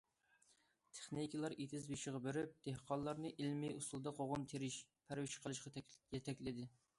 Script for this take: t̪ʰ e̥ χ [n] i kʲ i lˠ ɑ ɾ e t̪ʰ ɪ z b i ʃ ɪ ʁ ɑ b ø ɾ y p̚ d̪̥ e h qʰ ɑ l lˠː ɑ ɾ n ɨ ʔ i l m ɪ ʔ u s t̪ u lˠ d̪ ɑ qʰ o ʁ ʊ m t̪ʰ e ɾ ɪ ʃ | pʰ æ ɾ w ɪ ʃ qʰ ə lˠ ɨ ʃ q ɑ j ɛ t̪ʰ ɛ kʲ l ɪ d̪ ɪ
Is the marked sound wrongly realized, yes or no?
no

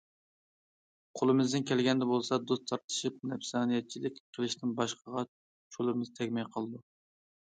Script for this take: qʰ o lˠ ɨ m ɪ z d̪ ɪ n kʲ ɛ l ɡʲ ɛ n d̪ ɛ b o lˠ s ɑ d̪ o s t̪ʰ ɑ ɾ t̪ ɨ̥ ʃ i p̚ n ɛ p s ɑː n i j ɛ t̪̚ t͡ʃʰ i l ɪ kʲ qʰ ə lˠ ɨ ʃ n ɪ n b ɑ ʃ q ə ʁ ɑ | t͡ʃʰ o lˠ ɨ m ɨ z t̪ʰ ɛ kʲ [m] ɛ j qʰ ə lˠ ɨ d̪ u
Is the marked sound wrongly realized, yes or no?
no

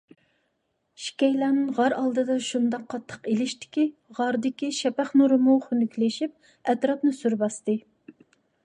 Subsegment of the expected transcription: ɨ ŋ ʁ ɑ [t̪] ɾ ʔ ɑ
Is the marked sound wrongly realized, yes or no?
yes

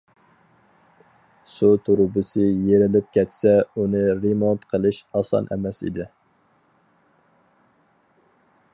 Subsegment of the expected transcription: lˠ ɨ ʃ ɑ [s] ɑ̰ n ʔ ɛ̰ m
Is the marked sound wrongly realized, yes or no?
no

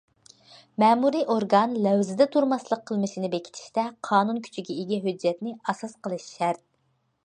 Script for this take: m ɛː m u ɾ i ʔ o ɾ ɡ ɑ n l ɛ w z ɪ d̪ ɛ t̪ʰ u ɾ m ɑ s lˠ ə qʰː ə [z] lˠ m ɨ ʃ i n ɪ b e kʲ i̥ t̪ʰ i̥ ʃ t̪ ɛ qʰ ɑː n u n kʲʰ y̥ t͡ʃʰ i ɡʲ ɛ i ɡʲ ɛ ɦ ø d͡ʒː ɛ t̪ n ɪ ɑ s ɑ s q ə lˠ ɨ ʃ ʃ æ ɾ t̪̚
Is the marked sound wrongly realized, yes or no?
yes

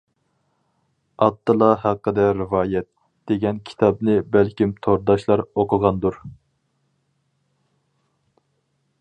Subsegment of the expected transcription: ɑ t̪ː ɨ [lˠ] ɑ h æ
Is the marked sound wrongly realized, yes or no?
no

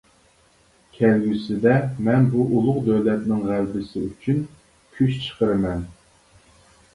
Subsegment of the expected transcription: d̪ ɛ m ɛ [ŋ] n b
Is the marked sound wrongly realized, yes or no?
yes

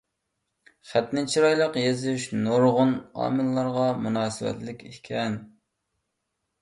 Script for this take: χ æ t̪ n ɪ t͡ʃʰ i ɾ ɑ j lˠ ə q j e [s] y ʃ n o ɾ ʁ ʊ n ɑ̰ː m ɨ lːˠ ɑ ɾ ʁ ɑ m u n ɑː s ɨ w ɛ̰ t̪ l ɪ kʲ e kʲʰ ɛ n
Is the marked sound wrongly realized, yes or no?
yes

